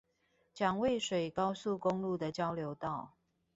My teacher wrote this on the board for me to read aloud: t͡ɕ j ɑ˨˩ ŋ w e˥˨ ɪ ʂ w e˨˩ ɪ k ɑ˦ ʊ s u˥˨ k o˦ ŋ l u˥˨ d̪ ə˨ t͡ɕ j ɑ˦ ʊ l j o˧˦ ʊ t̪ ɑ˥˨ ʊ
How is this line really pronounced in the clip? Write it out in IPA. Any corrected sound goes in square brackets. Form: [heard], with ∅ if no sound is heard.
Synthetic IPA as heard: t͡ɕ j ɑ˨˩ ŋ w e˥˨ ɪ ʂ w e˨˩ ɪ k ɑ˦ ʊ s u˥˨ k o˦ ŋ l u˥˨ d̪ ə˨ t͡ɕ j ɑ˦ ʊ l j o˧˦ ʊ t̪ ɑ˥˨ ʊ